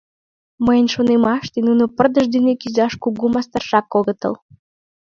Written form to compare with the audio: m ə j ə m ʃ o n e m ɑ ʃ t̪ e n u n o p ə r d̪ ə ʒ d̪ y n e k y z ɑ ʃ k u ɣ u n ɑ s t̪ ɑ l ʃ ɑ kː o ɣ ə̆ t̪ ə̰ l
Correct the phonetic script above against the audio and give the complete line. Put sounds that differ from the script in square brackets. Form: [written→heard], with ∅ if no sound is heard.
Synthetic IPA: m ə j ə [m→n] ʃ o n e m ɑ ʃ t̪ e n u n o p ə r d̪ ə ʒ d̪ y n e k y z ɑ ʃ k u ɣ u [n→m] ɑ s t̪ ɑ [l→r] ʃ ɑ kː o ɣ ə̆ t̪ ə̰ l